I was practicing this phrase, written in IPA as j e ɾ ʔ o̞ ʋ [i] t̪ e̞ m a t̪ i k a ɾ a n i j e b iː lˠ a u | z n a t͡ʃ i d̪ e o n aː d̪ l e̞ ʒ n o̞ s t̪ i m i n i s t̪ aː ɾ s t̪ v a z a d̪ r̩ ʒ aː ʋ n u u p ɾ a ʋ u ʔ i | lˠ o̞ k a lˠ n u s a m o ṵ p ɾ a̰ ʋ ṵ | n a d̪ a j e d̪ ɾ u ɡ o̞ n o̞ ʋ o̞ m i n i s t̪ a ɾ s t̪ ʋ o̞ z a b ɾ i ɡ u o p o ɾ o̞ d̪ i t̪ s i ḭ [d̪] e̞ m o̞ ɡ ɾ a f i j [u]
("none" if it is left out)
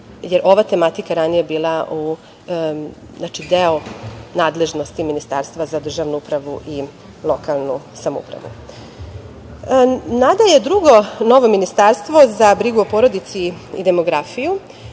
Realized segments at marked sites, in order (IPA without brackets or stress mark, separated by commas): a, d̪, u